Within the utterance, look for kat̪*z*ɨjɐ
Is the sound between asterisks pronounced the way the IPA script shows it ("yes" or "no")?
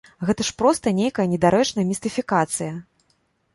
no